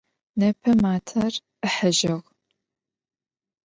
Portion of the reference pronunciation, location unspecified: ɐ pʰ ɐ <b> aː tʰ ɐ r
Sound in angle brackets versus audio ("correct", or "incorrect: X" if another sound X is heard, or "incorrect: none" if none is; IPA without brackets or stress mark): incorrect: m